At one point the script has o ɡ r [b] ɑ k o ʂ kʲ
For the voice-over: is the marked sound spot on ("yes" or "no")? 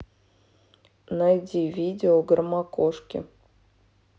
no